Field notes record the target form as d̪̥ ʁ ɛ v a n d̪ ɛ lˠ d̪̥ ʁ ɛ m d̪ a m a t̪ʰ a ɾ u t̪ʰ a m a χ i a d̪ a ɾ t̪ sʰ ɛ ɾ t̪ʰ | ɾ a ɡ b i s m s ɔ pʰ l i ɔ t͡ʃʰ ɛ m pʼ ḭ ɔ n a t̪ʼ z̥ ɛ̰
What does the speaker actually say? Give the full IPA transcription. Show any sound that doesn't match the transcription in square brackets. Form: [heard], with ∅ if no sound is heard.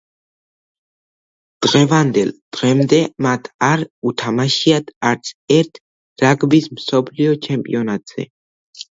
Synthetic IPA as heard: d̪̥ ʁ ɛ v a n d̪ ɛ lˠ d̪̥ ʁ ɛ m d̪ [ɛ] m a t̪ʰ a ɾ u t̪ʰ a m a [ʃ] i a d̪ a ɾ t̪ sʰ ɛ ɾ t̪ʰ | ɾ a ɡ b i s m s ɔ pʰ l i ɔ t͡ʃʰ ɛ m pʼ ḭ ɔ n a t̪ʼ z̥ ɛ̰